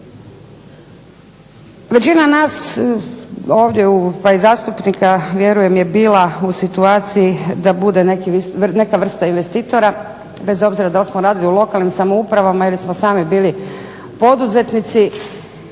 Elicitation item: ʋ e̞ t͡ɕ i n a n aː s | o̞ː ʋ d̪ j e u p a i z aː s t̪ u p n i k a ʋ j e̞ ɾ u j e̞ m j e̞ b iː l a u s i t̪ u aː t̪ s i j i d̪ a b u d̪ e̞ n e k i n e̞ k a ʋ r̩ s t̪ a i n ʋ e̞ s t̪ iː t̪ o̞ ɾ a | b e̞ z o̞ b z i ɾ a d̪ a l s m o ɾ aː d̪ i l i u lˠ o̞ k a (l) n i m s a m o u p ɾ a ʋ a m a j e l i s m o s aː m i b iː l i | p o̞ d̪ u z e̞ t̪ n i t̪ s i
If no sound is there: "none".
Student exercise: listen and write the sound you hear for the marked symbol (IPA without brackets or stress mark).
l